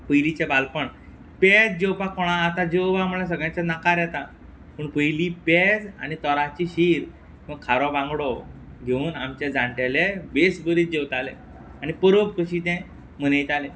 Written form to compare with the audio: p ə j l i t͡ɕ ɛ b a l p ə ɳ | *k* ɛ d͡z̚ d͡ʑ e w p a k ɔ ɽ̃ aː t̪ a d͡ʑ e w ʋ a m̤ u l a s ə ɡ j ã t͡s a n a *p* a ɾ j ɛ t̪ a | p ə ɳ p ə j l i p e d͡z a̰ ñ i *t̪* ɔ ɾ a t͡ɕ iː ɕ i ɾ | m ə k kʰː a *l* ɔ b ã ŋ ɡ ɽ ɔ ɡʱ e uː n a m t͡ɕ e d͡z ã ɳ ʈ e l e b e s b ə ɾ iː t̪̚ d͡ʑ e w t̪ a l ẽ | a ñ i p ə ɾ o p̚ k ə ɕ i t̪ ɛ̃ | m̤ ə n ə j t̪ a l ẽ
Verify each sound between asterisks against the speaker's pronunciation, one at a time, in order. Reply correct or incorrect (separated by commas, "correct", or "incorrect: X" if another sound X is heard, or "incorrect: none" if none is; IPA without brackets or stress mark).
incorrect: p, incorrect: k, correct, incorrect: ɾ